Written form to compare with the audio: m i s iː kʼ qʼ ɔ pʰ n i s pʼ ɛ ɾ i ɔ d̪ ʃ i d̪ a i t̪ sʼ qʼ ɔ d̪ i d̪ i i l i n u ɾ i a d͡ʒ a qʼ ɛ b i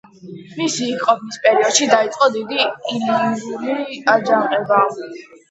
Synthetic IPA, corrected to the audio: m i s iː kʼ qʼ ɔ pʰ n i s pʼ ɛ ɾ i ɔ d̪ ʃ i d̪ a i t̪ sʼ qʼ ɔ d̪ i d̪ i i l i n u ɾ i a d͡ʒ a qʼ ɛ b a